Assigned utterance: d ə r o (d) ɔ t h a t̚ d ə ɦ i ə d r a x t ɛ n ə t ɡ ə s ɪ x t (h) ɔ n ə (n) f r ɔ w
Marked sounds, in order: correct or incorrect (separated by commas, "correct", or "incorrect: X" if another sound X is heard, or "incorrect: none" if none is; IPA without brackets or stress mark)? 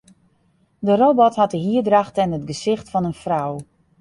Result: incorrect: b, incorrect: f, correct